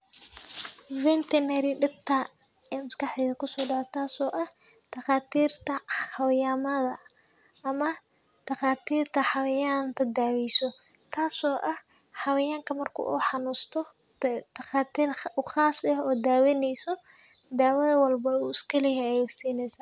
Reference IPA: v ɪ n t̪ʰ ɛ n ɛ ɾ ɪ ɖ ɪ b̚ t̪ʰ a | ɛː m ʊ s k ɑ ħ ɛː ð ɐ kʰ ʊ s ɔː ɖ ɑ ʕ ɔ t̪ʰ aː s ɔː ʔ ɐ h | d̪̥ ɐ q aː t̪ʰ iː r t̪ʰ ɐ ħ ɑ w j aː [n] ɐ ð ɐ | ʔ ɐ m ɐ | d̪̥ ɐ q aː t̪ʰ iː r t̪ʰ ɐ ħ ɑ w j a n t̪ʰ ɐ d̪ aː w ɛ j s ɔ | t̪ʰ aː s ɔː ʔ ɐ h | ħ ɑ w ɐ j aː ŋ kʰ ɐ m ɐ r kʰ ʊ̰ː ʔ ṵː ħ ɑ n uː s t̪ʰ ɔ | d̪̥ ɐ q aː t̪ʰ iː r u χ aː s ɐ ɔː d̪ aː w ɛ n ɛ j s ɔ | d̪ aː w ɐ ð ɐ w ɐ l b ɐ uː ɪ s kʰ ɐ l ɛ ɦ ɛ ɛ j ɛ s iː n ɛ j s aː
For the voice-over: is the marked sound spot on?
no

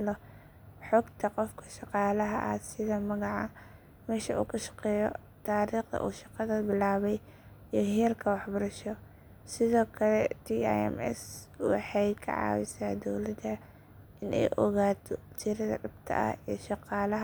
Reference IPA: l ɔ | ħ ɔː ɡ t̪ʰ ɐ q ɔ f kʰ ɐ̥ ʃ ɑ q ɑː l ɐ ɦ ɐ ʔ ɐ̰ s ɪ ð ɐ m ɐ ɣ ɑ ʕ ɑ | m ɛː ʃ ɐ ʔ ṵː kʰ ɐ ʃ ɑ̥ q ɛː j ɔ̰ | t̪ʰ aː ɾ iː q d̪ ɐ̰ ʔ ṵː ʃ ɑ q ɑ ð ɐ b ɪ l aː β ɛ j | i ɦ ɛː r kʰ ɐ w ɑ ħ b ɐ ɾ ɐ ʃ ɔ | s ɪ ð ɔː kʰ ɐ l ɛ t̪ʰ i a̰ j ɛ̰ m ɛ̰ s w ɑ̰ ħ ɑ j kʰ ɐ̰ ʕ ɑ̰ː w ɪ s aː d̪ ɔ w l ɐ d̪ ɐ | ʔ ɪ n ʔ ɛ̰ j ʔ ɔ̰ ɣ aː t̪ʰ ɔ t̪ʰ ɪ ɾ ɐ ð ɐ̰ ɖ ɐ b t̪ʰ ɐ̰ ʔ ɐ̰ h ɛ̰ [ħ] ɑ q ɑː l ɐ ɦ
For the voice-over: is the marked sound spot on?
no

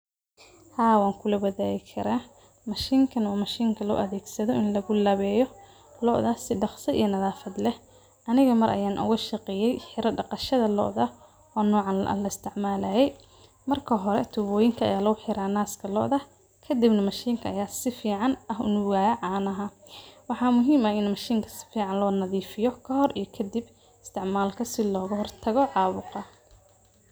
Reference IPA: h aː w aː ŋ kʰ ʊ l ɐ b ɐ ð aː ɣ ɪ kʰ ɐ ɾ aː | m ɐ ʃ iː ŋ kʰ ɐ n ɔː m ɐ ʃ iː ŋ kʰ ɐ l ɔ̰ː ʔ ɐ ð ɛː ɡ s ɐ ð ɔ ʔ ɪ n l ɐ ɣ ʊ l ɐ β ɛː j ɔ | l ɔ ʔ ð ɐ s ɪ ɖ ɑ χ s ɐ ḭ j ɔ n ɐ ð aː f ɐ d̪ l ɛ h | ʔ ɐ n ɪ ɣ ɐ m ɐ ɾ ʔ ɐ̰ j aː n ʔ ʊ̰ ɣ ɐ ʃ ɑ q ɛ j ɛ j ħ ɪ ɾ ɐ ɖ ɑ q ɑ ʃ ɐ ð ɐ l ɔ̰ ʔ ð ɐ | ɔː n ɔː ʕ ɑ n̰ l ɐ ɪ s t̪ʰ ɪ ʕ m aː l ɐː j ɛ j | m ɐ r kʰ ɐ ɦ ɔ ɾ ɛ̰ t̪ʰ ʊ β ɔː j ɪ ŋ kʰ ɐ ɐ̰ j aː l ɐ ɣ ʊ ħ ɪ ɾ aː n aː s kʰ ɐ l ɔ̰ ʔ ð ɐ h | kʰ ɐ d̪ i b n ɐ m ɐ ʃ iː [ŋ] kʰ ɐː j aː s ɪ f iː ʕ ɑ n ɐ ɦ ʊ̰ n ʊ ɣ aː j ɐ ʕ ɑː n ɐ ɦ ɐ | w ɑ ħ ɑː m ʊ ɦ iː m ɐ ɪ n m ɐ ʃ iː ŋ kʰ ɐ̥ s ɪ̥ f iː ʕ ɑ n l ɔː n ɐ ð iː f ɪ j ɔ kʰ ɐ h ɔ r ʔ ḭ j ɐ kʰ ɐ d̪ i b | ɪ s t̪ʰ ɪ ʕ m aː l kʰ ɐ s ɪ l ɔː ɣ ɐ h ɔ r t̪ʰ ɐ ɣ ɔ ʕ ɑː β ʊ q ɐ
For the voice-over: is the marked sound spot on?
yes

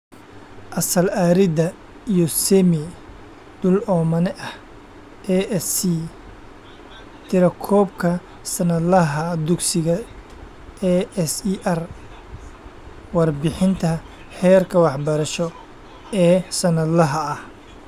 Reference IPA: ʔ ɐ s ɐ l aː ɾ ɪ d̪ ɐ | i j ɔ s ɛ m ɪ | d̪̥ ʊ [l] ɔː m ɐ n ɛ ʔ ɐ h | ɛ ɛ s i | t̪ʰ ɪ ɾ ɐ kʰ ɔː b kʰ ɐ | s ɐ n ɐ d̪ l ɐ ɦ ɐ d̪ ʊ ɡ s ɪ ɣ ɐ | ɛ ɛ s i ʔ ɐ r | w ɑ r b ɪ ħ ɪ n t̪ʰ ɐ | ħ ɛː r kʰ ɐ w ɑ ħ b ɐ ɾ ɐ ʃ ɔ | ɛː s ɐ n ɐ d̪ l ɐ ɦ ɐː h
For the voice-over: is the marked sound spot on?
yes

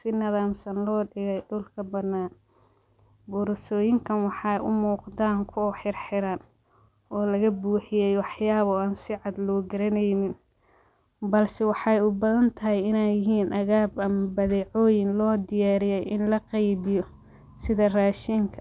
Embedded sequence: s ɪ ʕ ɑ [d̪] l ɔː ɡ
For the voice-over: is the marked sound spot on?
yes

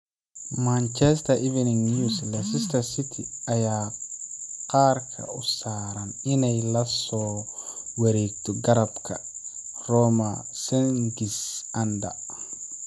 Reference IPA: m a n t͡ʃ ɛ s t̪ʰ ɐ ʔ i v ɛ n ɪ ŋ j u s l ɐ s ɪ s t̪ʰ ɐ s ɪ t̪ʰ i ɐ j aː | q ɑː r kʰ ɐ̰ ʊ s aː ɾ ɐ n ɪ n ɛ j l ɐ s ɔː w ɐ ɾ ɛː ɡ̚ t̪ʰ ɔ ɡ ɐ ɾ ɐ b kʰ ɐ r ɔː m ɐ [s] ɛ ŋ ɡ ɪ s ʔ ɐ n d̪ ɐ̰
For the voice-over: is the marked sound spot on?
yes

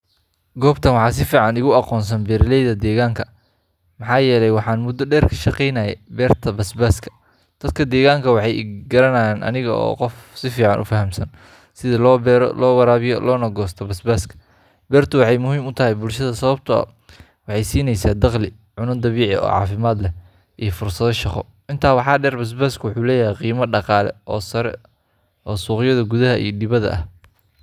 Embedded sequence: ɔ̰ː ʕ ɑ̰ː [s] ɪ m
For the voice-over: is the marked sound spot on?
no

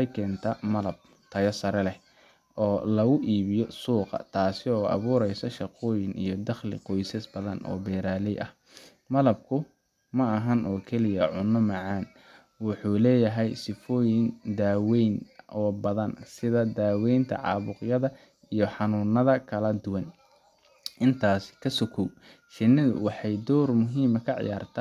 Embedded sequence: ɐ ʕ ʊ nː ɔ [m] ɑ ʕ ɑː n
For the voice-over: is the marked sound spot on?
yes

